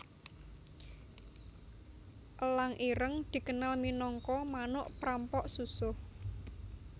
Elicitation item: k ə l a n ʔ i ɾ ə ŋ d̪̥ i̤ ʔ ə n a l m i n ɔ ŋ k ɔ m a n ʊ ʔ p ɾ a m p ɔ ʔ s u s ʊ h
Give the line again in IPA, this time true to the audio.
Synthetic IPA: ʔ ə l a ŋ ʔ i ɾ ə ŋ d̪̥ i̤ k ə n a l m i n ɔ ŋ k ɔ m a n ʊ ʔ p ɾ a m p ɔ ʔ s u s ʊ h